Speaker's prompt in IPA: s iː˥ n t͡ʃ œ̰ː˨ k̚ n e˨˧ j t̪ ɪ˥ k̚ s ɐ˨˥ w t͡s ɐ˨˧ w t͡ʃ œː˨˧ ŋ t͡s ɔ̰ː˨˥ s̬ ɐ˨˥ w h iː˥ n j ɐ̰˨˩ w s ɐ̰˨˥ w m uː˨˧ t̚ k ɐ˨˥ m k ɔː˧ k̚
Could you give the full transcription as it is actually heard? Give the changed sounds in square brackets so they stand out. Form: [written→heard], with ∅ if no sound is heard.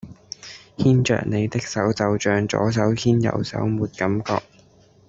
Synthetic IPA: [s→h] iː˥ n t͡ʃ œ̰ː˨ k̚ n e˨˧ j t̪ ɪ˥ k̚ s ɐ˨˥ w t͡s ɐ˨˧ w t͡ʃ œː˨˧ ŋ t͡s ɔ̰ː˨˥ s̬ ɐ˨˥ w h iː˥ n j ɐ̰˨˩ w s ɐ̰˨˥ w m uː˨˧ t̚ k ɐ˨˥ m k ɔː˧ k̚